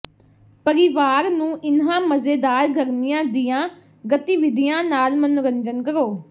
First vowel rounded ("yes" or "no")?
no